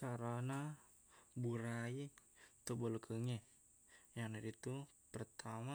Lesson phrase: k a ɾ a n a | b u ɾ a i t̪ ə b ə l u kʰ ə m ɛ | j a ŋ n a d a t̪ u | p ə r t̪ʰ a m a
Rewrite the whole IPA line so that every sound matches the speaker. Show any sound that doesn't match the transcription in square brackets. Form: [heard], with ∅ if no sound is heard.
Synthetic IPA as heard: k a ɾ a n a | b u ɾ a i t̪ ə b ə l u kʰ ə [ŋ] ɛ | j a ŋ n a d [i] t̪ u | p ə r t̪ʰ a m a